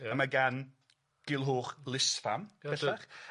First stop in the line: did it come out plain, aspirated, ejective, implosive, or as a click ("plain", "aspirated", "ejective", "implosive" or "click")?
plain